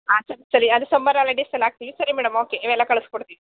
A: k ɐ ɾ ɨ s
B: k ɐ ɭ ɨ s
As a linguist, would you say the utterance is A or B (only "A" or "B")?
B